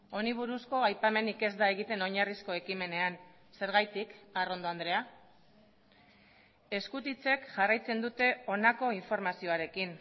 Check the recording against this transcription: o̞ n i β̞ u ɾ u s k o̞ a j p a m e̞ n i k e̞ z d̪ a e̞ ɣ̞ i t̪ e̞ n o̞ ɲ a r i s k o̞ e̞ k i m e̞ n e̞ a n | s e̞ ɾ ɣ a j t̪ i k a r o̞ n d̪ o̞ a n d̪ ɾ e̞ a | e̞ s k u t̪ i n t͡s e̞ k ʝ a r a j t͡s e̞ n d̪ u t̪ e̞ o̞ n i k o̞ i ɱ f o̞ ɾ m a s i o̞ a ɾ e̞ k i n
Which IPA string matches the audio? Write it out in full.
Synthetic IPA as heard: o̞ n i β̞ u ɾ u s k o̞ a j p a m e̞ n i k e̞ z d̪ a e̞ ɣ̞ i t̪ e̞ n o̞ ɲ a r i s k o̞ e̞ k i m e̞ n e̞ a n | s e̞ ɾ ɣ a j t̪ i k a r o̞ n d̪ o̞ a n d̪ ɾ e̞ a | e̞ s k u t̪ i t͡s e̞ k ʝ a r a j t͡s e̞ n d̪ u t̪ e̞ o̞ n a k o̞ i ɱ f o̞ ɾ m a s i o̞ a ɾ e̞ k i n